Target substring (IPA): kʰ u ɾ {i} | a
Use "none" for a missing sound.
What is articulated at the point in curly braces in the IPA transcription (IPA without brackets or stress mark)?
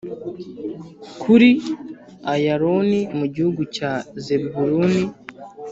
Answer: i